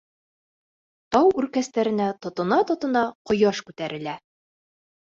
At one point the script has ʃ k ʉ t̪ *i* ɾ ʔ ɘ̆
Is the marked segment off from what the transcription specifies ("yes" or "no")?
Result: yes